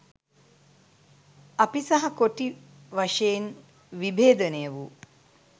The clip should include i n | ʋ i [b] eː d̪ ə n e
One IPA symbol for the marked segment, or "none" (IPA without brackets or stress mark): b